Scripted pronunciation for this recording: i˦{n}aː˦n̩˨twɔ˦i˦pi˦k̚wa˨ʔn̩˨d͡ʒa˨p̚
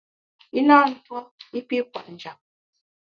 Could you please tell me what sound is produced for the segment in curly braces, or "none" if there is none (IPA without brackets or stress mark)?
n